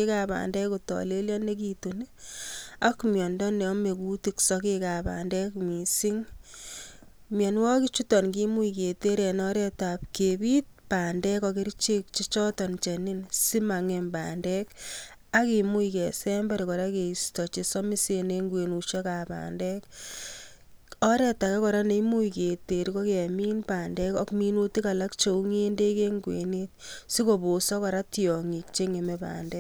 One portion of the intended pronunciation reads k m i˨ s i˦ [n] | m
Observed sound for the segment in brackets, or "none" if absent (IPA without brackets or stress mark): ŋ